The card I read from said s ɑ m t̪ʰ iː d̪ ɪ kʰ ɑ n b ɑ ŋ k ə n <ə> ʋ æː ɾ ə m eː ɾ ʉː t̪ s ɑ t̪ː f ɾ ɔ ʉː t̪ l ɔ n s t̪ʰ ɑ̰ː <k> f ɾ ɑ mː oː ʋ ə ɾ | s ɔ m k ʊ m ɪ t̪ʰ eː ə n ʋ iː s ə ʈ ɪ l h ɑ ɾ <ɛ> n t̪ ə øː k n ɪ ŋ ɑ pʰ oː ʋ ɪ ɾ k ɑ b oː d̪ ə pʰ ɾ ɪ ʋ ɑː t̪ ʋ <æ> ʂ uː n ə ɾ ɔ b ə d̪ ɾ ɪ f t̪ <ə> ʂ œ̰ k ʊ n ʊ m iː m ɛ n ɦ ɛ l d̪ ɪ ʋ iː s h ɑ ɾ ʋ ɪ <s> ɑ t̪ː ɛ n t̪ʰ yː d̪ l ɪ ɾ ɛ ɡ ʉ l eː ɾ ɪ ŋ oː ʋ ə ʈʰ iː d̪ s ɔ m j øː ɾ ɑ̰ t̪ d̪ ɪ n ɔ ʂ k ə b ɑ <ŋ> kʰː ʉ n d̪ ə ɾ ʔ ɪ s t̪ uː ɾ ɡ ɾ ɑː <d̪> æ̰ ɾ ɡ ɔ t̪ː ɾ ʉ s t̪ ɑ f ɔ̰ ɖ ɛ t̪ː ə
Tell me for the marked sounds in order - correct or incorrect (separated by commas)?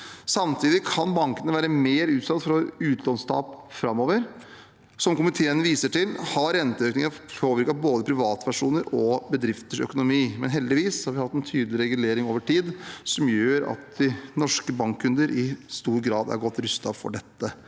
correct, incorrect, correct, correct, correct, incorrect, correct, correct